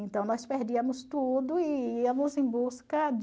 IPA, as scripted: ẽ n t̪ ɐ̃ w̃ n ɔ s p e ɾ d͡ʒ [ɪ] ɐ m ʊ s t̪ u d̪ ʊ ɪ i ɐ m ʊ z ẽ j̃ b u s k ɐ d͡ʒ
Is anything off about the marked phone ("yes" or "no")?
yes